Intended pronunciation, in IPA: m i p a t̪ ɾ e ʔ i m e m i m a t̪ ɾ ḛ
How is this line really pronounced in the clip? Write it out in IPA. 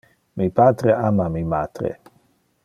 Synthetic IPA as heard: m i p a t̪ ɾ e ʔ a m a m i m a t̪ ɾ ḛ